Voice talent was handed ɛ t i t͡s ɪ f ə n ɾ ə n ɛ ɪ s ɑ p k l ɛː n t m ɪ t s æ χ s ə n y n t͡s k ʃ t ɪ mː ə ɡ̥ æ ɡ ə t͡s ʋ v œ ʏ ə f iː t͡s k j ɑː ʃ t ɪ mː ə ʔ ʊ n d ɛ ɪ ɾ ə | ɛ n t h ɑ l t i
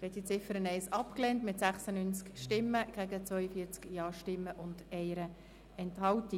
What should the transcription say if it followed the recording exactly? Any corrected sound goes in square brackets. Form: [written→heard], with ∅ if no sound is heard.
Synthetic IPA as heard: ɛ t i t͡s ɪ f ə [n→∅] ɾ ə n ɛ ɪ s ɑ p k l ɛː n t m ɪ t s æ χ s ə n y n t͡s k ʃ t ɪ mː ə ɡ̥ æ ɡ ə t͡s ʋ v œ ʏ ə f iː t͡s k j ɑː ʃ t ɪ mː ə ʔ ʊ n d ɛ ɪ ɾ ə | ɛ n t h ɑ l t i